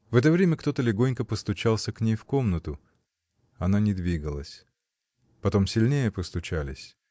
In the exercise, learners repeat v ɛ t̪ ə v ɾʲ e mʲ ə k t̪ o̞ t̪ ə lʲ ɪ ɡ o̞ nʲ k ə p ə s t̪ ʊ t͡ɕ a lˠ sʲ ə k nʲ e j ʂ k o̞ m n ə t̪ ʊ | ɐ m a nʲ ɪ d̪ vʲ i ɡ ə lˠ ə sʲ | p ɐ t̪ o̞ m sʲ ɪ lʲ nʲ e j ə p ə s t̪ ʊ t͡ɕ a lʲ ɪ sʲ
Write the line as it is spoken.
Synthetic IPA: v ɛ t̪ ə v ɾʲ e mʲ ə k t̪ o̞ t̪ ə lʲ ɪ ɡ o̞ nʲ k ə p ə s t̪ ʊ t͡ɕ a lˠ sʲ ə k nʲ e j f k o̞ m n ə t̪ ʊ | ɐ n a nʲ ɪ d̪ vʲ i ɡ ə lˠ ə sʲ | p ɐ t̪ o̞ m sʲ ɪ lʲ nʲ e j ə p ə s t̪ ʊ t͡ɕ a lʲ ɪ sʲ